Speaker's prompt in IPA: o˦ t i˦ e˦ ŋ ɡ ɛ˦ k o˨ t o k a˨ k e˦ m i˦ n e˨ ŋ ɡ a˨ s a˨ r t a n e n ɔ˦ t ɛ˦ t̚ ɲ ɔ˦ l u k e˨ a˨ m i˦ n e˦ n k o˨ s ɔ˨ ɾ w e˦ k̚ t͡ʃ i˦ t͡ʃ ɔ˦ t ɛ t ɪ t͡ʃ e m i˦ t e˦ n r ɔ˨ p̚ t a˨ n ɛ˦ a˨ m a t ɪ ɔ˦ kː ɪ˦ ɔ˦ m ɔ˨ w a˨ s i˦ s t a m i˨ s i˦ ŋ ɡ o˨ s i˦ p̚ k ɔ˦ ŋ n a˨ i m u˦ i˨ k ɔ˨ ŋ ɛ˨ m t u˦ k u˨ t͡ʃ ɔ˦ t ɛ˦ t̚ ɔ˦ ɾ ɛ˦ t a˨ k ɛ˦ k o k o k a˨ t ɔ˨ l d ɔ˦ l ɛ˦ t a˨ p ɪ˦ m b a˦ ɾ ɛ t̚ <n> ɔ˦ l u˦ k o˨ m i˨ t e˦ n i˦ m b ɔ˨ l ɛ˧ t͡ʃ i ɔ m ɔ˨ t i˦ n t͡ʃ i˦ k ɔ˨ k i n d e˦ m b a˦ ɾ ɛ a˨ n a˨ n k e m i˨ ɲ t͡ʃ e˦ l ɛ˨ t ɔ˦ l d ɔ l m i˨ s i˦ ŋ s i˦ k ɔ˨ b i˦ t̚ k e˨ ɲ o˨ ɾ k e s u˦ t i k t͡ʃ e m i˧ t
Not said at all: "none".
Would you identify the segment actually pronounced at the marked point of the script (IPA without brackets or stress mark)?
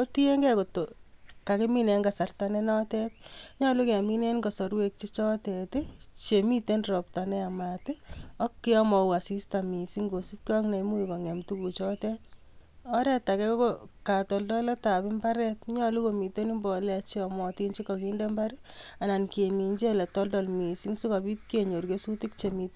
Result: ɲ